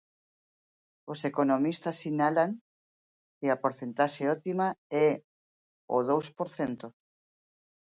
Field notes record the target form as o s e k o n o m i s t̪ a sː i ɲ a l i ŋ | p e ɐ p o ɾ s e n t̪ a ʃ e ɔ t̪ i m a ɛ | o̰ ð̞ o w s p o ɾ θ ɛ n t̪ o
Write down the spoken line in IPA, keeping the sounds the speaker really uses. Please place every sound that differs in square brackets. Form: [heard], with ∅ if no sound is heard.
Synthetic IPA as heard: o s e k o n o m i s t̪ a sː i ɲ a l [a] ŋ | [k] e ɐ p o ɾ [θ] e n t̪ a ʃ e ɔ t̪ i m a ɛ | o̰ ð̞ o w s p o ɾ θ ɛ n t̪ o